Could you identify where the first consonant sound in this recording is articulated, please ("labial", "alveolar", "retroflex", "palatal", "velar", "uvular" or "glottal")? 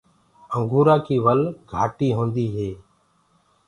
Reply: velar